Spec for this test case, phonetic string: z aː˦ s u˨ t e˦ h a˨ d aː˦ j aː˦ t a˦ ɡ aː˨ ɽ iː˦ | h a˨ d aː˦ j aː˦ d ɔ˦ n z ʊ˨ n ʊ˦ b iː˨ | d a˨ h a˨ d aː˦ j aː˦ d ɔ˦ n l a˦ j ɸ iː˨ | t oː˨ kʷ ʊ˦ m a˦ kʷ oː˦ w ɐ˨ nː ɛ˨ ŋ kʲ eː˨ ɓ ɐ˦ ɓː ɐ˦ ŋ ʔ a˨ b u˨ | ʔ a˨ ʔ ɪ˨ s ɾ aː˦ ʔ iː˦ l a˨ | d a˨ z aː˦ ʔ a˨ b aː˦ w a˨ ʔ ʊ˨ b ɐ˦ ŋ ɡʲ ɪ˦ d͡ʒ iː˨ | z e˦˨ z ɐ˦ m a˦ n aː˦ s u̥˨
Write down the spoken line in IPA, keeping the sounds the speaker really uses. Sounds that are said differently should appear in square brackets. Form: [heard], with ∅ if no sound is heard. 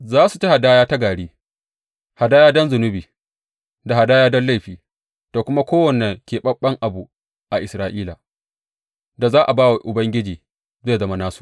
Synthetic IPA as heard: z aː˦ s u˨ [t͡ʃ] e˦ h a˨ d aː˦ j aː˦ t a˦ ɡ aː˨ ɽ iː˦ | h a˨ d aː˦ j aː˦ d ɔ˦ n z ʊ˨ n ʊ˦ b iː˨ | d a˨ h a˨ d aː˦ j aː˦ d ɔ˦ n l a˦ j ɸ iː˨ | t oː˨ kʷ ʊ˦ m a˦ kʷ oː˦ w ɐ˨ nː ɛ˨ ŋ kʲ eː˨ ɓ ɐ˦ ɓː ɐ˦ ŋ ʔ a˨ b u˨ | ʔ a˨ ʔ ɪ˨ s ɾ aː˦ ʔ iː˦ l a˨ | d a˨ z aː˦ ʔ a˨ b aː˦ w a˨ ʔ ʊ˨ b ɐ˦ ŋ ɡʲ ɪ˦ d͡ʒ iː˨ | z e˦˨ z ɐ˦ m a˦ n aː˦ s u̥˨